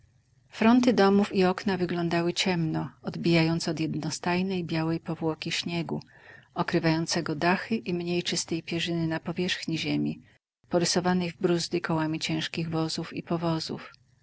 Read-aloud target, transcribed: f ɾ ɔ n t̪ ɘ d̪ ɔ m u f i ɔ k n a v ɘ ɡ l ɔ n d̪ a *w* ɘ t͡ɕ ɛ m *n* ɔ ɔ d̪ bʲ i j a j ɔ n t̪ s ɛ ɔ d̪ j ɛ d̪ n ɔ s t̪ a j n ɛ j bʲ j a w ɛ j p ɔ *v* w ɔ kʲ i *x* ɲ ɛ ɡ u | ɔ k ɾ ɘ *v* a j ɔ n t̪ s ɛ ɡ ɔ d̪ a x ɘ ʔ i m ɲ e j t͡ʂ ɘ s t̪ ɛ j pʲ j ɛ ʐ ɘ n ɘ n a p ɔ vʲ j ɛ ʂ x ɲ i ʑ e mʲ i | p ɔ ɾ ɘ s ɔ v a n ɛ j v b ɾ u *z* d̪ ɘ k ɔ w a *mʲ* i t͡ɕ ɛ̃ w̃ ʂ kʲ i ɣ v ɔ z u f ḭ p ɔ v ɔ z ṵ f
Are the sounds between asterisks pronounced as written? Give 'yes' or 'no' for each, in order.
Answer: yes, yes, yes, no, yes, yes, yes

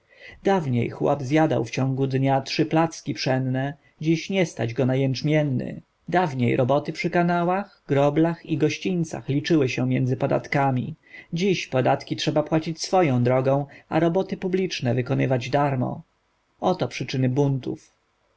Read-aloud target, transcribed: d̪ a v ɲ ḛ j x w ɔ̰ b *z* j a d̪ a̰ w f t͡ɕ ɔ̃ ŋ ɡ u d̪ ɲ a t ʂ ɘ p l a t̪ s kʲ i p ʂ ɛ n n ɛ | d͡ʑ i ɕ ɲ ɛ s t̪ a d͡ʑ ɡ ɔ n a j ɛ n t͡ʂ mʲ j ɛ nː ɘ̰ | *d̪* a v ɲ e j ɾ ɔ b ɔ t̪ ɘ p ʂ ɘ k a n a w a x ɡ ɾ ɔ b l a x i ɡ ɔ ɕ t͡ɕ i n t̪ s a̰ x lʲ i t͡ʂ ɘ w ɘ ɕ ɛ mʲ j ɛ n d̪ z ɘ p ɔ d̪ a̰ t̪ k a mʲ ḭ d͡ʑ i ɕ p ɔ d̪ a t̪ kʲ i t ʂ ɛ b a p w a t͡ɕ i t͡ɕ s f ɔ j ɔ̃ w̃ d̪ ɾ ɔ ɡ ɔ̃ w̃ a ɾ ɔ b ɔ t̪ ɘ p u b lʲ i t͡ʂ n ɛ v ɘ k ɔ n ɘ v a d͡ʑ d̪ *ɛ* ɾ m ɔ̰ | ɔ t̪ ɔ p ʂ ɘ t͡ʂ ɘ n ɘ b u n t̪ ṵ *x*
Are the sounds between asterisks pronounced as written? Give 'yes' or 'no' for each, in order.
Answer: yes, yes, no, no

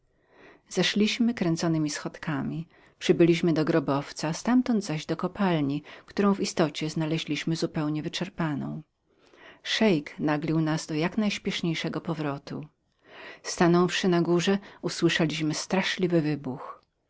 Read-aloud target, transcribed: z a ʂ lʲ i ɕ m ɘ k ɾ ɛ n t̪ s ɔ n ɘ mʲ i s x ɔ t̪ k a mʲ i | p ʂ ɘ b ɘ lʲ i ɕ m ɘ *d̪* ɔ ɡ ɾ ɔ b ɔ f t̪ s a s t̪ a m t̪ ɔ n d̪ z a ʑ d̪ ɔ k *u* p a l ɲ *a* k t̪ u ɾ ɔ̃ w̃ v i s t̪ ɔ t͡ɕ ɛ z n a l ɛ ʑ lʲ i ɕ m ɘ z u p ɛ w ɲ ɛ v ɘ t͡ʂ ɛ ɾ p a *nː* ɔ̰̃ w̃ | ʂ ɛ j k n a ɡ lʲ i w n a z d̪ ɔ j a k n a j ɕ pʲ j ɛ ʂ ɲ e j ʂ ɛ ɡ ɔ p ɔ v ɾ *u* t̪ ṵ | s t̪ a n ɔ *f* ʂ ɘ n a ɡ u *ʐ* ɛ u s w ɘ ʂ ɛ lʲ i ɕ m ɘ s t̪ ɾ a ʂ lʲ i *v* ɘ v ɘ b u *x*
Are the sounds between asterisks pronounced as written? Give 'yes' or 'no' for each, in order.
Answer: yes, no, no, no, no, yes, yes, yes, yes

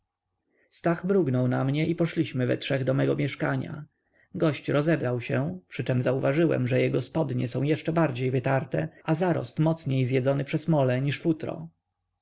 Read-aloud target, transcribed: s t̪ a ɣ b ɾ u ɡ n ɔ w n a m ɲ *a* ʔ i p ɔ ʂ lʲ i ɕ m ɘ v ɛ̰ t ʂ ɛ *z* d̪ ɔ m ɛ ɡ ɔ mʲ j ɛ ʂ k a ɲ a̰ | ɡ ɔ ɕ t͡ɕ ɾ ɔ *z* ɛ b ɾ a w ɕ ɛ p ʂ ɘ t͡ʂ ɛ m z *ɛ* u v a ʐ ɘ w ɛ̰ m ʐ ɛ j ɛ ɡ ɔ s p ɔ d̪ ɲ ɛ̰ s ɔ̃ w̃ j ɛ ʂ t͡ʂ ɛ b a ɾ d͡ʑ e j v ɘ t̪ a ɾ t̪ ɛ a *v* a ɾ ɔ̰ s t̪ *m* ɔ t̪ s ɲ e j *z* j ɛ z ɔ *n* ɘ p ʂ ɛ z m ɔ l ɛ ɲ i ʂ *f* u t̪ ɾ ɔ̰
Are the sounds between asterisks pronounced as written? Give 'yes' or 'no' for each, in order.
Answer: no, no, yes, no, no, yes, yes, yes, yes

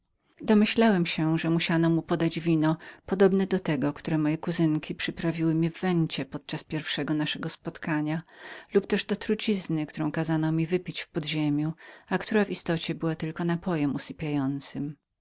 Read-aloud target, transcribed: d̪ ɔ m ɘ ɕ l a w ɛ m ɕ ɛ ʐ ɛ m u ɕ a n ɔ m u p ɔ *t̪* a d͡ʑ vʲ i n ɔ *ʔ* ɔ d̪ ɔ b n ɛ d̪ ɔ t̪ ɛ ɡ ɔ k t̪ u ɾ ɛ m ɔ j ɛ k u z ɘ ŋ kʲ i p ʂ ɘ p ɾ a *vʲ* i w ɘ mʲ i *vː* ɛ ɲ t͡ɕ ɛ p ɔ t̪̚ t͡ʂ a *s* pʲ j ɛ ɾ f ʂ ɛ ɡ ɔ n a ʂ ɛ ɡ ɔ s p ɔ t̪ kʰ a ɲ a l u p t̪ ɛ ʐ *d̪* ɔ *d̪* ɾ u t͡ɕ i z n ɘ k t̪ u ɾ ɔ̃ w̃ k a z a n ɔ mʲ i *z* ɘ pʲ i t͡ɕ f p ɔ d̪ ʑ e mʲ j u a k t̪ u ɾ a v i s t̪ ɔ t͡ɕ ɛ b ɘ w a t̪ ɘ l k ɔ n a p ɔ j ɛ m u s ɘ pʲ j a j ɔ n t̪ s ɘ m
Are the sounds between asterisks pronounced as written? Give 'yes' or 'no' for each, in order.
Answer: no, no, yes, yes, yes, yes, no, no

